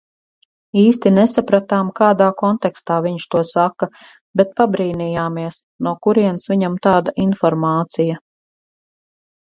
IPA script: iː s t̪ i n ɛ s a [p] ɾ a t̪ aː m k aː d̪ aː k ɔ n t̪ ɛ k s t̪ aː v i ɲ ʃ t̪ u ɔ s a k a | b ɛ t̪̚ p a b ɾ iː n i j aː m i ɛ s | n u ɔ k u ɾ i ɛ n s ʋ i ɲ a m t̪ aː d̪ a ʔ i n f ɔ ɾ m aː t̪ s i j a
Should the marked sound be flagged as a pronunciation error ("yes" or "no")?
no